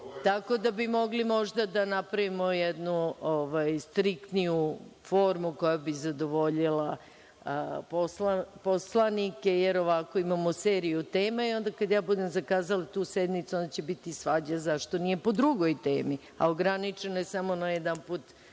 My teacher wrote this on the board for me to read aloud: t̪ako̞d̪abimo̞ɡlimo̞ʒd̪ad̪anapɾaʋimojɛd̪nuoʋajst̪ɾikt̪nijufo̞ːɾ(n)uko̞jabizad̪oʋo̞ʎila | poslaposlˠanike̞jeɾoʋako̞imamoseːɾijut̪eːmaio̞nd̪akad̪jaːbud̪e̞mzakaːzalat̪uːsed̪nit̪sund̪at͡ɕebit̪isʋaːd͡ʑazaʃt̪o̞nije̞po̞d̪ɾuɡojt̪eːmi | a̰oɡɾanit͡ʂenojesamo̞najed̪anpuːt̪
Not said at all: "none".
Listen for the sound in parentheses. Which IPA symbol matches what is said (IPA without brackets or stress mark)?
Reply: m